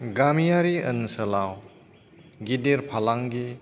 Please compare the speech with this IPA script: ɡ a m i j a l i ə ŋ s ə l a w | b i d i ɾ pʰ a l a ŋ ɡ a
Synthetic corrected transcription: ɡ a m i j a ɾ i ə n s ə l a w | ɡ i d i ɾ pʰ a l a ŋ ɡ i